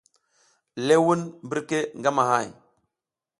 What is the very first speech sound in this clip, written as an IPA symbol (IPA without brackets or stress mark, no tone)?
l